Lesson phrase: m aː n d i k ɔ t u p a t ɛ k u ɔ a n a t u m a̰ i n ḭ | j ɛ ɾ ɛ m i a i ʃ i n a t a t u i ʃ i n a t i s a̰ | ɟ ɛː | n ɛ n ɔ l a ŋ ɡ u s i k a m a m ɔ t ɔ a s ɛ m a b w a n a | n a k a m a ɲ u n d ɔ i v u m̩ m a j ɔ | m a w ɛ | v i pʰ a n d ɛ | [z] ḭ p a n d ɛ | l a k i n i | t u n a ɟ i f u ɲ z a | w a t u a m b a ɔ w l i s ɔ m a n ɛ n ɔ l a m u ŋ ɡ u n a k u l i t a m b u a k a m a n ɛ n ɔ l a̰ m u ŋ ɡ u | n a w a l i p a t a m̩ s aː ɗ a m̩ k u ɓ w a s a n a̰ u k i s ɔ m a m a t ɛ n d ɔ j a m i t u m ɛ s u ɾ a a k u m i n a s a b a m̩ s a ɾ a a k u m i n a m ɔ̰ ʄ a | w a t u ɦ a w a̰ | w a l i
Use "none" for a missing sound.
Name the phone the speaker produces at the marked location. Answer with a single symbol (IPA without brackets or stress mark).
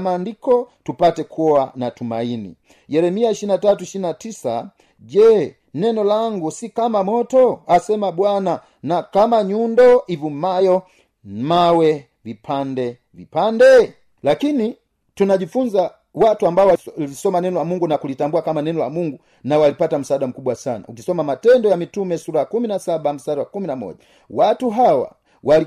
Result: v